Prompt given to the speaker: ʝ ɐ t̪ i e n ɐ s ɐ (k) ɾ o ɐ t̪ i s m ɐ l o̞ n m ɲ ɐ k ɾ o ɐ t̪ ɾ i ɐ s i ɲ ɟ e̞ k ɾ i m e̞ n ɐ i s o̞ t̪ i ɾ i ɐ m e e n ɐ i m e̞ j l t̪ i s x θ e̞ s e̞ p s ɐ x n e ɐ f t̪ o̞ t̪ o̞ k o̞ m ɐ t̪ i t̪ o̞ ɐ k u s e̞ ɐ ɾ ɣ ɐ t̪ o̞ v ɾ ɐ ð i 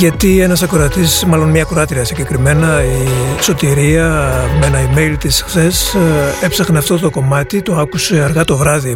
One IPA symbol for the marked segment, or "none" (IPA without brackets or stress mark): k